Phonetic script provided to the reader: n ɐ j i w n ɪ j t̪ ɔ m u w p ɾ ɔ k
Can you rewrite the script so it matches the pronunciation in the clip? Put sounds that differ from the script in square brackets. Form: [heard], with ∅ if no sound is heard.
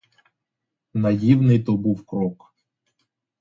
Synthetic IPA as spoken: n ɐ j i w n ɪ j t̪ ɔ [b] u w [k] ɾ ɔ k